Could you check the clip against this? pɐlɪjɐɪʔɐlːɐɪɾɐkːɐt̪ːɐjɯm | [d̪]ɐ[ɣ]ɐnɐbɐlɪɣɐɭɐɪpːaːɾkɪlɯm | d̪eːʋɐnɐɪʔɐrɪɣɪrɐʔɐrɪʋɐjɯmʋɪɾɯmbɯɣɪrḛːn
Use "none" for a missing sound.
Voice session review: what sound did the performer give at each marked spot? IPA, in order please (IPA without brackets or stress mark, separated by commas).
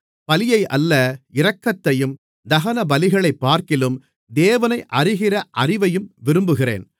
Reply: d̪, ɣ